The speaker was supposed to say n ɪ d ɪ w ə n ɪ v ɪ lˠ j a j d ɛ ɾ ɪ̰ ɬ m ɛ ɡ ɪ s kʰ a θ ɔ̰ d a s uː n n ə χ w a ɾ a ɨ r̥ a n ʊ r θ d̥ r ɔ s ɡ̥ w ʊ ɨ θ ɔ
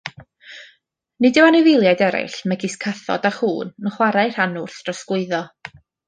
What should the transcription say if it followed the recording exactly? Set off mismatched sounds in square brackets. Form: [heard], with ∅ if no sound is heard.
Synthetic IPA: n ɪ d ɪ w [a] n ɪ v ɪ lˠ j a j d ɛ ɾ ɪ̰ ɬ m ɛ ɡ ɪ s kʰ a θ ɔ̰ d a [χ] uː n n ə χ w a ɾ a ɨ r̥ a n ʊ r θ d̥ r ɔ s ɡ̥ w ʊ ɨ [ð] ɔ